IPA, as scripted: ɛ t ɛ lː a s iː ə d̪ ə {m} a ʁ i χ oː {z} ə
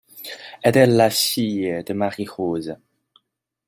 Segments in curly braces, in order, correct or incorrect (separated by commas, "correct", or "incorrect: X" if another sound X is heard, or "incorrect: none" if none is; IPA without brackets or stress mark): correct, correct